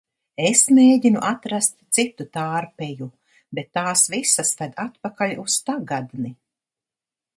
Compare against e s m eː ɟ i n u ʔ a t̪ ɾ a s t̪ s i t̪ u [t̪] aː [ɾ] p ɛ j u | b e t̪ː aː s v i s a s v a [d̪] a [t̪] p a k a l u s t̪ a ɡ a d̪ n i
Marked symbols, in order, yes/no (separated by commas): yes, yes, yes, yes